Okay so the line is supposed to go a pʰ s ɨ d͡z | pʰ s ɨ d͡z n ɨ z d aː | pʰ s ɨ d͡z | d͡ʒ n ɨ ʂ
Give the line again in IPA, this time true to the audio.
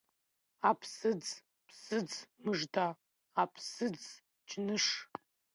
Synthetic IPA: a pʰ s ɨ d͡z | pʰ s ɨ d͡z m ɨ ʐ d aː | pʰ s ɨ d͡z | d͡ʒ n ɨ ʂ